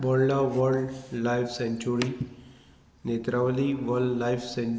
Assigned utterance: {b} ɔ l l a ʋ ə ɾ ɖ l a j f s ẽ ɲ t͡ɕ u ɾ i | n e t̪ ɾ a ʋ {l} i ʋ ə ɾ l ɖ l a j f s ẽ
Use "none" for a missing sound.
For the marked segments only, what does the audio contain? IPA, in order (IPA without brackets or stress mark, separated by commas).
b, l